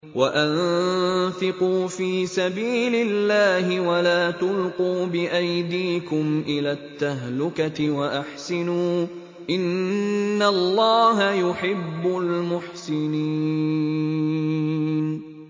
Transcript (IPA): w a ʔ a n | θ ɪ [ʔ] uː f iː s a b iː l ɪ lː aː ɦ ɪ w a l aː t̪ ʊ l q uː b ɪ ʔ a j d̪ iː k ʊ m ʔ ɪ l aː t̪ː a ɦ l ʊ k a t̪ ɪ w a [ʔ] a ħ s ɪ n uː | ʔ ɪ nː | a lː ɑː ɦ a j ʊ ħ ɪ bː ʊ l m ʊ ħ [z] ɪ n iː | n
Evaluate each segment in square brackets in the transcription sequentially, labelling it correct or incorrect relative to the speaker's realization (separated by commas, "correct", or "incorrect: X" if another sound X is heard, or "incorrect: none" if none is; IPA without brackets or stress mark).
incorrect: q, correct, incorrect: s